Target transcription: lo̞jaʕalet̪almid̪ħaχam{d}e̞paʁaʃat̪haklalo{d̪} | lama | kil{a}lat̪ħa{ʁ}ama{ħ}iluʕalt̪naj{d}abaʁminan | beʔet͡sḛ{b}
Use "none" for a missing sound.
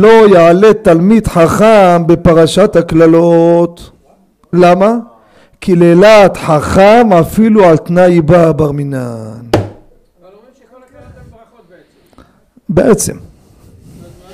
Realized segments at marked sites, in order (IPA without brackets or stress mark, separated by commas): b, t̪, e, χ, f, b, m